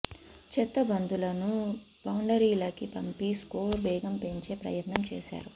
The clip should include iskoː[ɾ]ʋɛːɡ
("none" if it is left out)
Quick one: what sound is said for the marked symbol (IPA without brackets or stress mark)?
ɾ